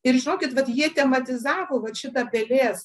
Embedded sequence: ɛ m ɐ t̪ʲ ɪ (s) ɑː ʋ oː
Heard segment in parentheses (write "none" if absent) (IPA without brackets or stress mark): z